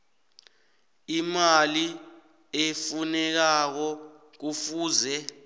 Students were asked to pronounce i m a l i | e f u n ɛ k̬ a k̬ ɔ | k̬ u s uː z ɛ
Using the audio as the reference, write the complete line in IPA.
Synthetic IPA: i m a l i | e f u n ɛ k̬ a k̬ ɔ | k̬ u f uː z ɛ